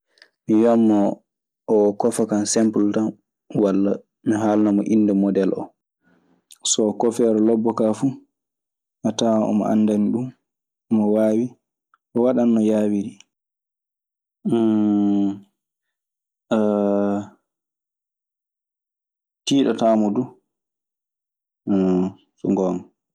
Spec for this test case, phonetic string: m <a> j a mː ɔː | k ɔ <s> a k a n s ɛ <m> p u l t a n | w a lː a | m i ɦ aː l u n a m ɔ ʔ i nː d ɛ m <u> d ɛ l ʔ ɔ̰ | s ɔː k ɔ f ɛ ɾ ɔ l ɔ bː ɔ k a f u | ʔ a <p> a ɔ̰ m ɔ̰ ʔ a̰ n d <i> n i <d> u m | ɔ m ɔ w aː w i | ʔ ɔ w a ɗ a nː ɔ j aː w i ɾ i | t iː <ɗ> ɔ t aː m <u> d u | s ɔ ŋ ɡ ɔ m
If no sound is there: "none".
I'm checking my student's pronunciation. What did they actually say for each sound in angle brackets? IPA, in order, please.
i, f, m, ɔ, t, a, ɗ, ɗ, ɔ

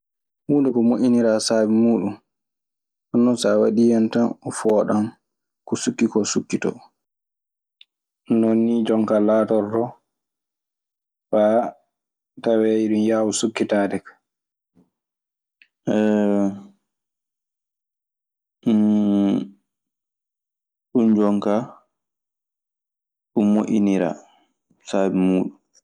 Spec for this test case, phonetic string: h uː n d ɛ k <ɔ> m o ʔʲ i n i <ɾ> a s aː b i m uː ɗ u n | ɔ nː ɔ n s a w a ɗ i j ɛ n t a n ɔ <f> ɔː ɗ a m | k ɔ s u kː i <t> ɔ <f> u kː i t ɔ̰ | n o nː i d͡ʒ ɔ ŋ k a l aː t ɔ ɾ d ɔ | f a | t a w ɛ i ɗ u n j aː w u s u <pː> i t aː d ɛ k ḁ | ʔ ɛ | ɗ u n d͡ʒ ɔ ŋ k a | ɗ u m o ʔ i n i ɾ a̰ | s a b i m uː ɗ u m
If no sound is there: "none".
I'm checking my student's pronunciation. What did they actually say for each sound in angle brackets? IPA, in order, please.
ɔ, ɾ, f, k, s, kː

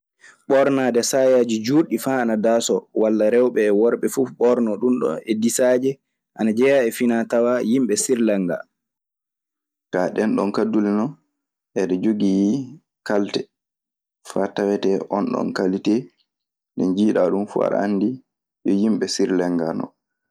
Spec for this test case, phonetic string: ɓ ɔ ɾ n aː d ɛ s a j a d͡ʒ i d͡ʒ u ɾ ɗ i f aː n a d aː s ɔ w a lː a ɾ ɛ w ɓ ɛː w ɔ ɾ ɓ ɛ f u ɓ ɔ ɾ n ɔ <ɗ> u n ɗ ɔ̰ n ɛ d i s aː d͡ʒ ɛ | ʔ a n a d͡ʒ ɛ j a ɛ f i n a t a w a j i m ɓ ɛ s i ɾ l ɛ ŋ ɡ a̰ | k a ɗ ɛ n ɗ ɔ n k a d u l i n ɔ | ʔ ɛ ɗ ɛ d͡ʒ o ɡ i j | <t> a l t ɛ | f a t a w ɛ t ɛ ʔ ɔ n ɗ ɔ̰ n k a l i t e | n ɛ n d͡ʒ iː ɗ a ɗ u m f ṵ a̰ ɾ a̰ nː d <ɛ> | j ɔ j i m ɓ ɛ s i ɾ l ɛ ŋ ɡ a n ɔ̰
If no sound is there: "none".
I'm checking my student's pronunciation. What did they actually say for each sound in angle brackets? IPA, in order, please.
ɗ, k, i

